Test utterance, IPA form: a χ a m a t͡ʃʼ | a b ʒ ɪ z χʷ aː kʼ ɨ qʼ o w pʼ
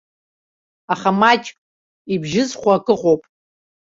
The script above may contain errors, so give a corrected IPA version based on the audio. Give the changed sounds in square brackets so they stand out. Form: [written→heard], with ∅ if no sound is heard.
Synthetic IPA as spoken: a χ a m a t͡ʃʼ | [a→i] b ʒ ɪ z χʷ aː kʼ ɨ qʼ o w pʼ